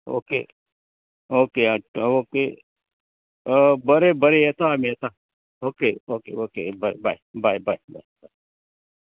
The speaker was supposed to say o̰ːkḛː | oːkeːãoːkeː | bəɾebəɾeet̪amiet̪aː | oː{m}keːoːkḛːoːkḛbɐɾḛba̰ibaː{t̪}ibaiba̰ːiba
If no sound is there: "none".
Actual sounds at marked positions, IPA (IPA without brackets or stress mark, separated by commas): none, none